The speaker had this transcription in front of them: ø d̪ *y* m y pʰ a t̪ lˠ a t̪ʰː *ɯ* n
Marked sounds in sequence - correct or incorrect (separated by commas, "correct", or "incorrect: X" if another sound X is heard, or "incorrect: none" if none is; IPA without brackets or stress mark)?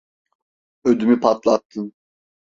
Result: correct, correct